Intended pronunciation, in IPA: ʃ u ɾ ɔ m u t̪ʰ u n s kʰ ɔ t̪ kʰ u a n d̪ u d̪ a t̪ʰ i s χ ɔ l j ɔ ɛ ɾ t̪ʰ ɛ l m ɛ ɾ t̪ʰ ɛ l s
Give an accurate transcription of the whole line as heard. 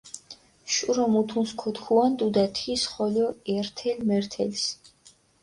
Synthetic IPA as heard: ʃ u ɾ ɔ m u t̪ʰ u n s kʰ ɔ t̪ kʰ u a n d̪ u d̪ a t̪ʰ i s χ ɔ l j ɔ ɛ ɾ t̪ʰ ɛ l m ɛ ɾ t̪ʰ ɛ l s